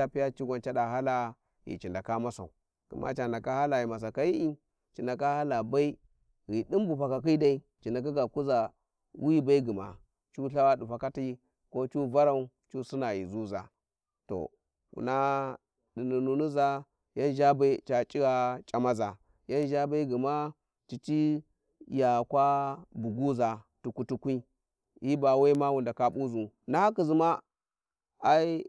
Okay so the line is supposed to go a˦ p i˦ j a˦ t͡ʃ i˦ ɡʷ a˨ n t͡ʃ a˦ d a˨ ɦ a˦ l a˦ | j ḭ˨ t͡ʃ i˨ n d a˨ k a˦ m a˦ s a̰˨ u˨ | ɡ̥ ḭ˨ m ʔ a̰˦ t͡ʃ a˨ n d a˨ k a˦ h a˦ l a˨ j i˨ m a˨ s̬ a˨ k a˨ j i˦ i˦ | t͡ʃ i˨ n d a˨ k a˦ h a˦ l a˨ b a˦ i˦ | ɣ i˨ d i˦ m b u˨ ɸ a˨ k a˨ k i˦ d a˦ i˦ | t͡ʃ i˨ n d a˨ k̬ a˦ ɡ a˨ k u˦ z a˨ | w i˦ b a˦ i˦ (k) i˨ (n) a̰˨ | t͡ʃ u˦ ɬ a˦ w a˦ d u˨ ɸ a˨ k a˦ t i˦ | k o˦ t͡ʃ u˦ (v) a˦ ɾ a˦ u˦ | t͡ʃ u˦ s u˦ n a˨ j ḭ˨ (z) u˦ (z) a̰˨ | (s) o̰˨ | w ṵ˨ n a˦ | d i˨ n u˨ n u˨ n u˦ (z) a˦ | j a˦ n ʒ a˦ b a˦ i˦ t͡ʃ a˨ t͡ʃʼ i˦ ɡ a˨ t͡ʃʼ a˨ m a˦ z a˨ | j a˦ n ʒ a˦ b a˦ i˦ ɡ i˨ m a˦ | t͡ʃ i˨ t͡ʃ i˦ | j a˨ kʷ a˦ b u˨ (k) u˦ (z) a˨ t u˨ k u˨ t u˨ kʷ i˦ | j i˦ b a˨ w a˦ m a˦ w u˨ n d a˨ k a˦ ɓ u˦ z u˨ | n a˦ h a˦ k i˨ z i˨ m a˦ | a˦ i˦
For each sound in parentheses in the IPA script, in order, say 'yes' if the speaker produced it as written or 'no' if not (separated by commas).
no, no, yes, yes, yes, no, yes, no, yes